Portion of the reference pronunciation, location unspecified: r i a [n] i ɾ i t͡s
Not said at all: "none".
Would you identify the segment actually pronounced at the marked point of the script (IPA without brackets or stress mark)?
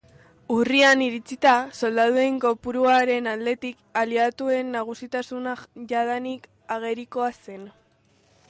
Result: n